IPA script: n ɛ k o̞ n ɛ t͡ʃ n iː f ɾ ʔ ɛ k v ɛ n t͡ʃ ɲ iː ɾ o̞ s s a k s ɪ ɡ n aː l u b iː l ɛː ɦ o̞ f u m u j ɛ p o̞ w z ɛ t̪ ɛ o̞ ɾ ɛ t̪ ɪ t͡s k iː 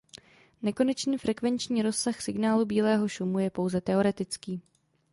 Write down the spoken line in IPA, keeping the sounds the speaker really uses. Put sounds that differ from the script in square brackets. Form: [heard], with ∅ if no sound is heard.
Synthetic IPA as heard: n ɛ k o̞ n ɛ t͡ʃ n iː f ɾ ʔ ɛ k v ɛ n t͡ʃ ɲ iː ɾ o̞ s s a [x] s ɪ ɡ n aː l u b iː l ɛː ɦ o̞ [ʃ] u m u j ɛ p o̞ w z ɛ t̪ ɛ o̞ ɾ ɛ t̪ ɪ t͡s k iː